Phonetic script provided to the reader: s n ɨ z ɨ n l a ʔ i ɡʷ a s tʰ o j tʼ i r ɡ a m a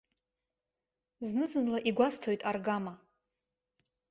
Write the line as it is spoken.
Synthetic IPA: z n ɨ z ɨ n l a ʔ i ɡʷ a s tʰ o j tʼ a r ɡ a m a